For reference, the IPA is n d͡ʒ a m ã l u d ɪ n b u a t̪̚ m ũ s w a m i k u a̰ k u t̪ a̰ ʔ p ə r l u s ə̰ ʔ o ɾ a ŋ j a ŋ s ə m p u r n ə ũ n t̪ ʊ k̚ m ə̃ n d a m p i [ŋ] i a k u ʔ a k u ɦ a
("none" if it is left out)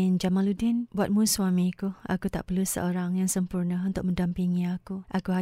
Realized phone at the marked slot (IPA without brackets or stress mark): ŋ